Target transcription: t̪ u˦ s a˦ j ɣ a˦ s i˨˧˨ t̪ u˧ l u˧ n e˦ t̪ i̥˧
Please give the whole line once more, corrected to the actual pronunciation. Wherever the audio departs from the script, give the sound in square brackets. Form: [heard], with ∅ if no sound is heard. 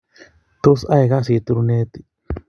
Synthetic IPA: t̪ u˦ s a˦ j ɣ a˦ s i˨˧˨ t̪ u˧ [ɾ] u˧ n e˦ t̪ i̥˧